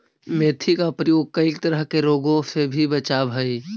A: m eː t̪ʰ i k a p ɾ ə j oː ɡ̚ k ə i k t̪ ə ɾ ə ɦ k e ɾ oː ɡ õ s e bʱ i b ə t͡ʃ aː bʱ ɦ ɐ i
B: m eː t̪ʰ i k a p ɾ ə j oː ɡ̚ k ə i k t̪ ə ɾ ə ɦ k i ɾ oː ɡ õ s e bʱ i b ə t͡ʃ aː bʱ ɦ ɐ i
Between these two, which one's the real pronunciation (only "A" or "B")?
A